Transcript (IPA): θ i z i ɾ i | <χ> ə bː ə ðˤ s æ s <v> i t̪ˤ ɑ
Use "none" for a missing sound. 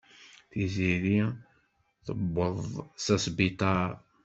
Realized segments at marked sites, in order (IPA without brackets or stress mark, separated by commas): θ, b